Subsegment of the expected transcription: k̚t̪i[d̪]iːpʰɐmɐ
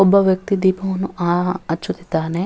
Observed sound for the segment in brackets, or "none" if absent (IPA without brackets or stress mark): d̪